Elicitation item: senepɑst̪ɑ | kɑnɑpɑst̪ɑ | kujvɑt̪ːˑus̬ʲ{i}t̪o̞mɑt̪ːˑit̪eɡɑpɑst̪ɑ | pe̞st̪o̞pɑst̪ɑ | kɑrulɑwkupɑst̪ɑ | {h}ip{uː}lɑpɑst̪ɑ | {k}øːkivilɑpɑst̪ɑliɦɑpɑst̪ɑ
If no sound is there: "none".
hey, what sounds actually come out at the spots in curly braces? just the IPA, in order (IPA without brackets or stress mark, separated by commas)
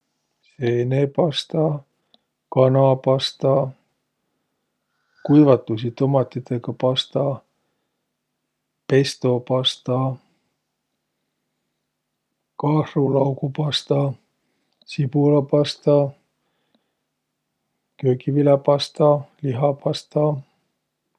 i, s, u, k